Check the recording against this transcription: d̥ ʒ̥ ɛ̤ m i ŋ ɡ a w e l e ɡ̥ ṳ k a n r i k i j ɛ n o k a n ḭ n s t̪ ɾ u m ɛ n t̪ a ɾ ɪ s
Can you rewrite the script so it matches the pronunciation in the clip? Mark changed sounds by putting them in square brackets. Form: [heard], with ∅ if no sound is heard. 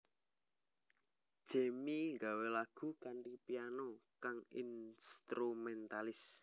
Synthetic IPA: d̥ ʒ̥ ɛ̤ m i ŋ ɡ a w e l [a] ɡ̥ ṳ k a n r i [p] i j [a] n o k a [ŋ] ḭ n s t̪ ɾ u m ɛ n t̪ a [l] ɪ s

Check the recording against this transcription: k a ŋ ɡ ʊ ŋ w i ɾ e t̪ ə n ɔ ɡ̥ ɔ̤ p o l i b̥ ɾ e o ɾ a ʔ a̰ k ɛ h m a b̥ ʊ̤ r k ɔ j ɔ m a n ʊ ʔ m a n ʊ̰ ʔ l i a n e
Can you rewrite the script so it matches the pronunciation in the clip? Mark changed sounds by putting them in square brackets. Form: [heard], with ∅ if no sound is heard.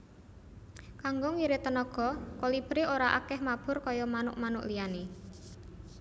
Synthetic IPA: k a ŋ ɡ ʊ ŋ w i ɾ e t̪ ə n ɔ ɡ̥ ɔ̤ [k] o l i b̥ ɾ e o ɾ a ʔ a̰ k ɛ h m a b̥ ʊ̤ r k ɔ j ɔ m a n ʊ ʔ m a n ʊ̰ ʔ l i a n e

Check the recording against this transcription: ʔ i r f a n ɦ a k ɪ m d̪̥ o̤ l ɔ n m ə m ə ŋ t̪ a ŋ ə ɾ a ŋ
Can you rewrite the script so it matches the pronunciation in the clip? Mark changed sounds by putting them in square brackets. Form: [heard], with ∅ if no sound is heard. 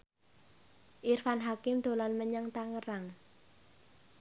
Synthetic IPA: ʔ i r f a n ɦ a k ɪ m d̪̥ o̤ l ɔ n m ə [ɲ] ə ŋ t̪ a ŋ ə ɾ a ŋ

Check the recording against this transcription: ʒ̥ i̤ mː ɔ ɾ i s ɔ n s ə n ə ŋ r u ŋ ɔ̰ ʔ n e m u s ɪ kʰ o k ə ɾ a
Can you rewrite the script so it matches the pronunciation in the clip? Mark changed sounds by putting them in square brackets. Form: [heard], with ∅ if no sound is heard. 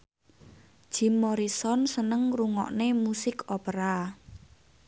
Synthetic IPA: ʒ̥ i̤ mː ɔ ɾ i s ɔ n s ə n ə ŋ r u ŋ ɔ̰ ʔ n e m u s ɪ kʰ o [p] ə ɾ a

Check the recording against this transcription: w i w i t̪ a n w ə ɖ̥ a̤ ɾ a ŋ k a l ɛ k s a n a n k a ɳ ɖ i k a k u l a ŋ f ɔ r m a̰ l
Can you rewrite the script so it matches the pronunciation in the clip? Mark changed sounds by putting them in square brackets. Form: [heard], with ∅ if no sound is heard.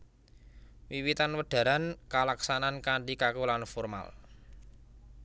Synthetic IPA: w i w i t̪ a n w ə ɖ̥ a̤ ɾ a [n] k a l [a] k s a n a n k a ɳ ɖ i k a k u l a [n] f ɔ r m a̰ l

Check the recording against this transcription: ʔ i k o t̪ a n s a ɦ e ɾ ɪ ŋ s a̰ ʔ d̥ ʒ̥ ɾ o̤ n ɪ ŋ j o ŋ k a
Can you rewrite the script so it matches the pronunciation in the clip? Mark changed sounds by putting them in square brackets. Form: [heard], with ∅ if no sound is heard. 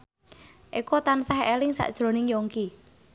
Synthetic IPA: ʔ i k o t̪ a n s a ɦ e [l] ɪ ŋ s a̰ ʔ d̥ ʒ̥ ɾ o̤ n ɪ ŋ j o ŋ k [i]

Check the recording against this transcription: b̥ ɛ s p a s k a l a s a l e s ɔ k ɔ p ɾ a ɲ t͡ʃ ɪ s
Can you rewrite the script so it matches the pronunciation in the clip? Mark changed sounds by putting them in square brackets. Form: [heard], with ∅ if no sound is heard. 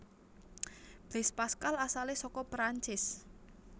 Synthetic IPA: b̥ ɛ s p a s k a l a s a l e s ɔ k ɔ p ɾ a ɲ t͡ʃ ɪ s

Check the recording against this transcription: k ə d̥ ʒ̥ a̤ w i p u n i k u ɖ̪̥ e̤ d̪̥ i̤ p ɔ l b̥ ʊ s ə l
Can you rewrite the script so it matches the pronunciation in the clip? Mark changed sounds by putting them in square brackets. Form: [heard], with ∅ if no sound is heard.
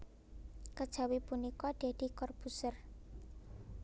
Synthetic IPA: k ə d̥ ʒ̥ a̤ w i p u n i k [ɔ] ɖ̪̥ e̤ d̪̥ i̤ [k] ɔ [r] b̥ [u] s ə [r]

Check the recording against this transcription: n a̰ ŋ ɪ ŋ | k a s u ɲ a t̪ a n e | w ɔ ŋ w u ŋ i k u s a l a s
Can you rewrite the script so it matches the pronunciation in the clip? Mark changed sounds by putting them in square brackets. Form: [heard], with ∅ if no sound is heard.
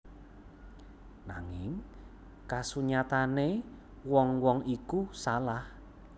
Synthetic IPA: n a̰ ŋ ɪ ŋ | k a s u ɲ a t̪ a n e | w ɔ ŋ w [ɔ] ŋ i k u s a l a [h]

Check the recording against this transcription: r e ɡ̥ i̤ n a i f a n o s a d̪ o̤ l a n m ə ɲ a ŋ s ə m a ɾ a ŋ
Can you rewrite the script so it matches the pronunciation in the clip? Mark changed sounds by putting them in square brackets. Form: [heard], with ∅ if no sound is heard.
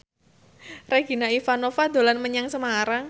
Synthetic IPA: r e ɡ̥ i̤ n a i f a n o [f] a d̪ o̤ l a n m ə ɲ a ŋ s ə m a ɾ a ŋ

